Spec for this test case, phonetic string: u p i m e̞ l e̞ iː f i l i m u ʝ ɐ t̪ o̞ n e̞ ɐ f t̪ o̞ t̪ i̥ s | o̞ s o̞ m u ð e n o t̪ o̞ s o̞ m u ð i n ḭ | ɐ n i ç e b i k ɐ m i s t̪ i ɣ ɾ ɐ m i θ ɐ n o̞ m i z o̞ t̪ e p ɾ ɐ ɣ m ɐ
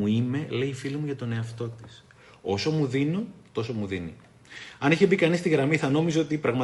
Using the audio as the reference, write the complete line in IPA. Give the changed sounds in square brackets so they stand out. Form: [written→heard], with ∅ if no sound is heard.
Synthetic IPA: u [p→∅] i m e̞ l e̞ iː f i l i m u ʝ ɐ t̪ o̞ n e̞ ɐ f t̪ o̞ t̪ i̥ s | o̞ s o̞ m u ð [e→i] n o t̪ o̞ s o̞ m u ð i n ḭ | ɐ n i ç e b i k ɐ [m→n] i s t̪ i ɣ ɾ ɐ m i θ ɐ n o̞ m i z o̞ t̪ [e→i] p ɾ ɐ ɣ m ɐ